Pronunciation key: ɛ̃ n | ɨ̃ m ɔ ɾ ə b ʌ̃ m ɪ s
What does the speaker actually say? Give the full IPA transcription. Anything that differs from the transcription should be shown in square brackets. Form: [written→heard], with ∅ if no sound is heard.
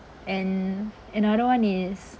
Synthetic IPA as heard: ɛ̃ n | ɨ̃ [m→n] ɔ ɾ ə [b→w] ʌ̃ [m→n] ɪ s